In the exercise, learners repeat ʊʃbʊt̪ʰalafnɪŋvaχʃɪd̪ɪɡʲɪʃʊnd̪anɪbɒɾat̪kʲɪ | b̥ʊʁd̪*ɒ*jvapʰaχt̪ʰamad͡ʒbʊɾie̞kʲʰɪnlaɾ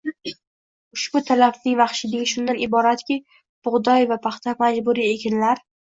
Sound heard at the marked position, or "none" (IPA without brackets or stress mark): ɒ